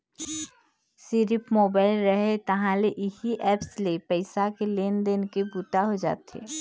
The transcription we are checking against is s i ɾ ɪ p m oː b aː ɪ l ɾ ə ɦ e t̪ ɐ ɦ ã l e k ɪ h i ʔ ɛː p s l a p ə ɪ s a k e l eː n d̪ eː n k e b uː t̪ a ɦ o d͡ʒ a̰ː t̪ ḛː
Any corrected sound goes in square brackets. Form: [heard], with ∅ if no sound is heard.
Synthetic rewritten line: s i ɾ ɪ p m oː b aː ɪ l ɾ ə ɦ e t̪ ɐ ɦ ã l e [ʔ] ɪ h i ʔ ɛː p s l [e] p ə ɪ s a k e l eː n d̪ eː n k e b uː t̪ a ɦ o d͡ʒ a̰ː t̪ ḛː